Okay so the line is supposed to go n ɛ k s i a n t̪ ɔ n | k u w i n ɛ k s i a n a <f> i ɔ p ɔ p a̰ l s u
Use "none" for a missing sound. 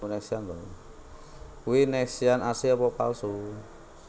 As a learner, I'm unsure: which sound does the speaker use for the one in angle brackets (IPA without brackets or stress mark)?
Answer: s